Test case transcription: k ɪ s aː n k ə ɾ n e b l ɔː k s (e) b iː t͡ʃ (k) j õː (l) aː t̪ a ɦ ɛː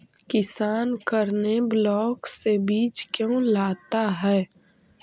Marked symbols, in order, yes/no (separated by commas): yes, yes, yes